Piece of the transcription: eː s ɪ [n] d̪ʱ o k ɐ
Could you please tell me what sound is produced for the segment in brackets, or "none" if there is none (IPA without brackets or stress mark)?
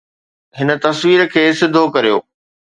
none